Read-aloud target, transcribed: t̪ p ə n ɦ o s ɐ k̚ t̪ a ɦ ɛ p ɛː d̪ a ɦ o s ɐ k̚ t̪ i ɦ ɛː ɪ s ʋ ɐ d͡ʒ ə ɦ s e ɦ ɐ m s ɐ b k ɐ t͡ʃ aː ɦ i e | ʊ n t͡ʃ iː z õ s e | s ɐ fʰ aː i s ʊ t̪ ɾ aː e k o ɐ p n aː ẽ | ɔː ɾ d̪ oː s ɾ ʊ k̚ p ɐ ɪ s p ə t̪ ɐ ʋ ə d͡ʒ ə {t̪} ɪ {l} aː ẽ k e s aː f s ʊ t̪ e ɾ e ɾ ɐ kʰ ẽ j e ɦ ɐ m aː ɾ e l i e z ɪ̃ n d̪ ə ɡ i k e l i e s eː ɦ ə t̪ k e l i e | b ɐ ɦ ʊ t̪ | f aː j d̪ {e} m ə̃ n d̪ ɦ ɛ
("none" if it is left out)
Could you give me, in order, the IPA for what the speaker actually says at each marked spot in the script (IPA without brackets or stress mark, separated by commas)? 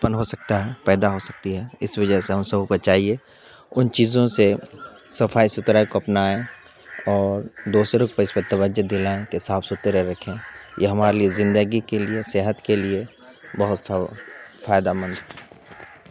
d̪, l, a